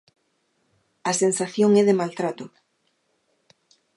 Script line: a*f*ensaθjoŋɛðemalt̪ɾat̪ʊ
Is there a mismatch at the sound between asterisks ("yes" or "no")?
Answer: yes